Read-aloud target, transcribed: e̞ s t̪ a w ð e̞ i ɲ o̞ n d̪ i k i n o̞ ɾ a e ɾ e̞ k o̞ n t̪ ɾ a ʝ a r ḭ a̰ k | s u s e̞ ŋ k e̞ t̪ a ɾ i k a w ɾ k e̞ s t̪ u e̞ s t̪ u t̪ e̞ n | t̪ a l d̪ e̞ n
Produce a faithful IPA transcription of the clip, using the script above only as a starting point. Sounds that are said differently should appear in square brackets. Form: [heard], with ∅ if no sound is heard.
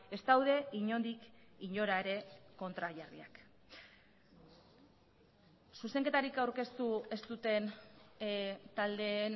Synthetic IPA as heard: e̞ s t̪ a w ð e̞ i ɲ o̞ n d̪ i k i [ɲ] o̞ ɾ a e ɾ e̞ k o̞ n t̪ ɾ a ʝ a r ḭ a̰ k | s u s e̞ ŋ k e̞ t̪ a ɾ i k a w ɾ k e̞ s t̪ u e̞ s t̪ u t̪ e̞ n | t̪ a l d̪ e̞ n